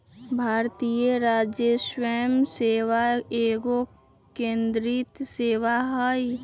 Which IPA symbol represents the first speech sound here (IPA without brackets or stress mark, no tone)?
bʱ